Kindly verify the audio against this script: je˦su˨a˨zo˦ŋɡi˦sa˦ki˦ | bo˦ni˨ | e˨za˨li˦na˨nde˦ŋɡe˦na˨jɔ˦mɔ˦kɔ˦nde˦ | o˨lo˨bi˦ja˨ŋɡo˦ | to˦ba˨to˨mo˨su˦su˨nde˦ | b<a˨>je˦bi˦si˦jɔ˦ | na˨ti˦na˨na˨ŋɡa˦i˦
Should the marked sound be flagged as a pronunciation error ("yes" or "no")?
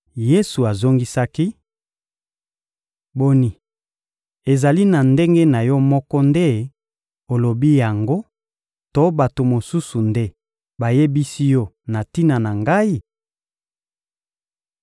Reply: no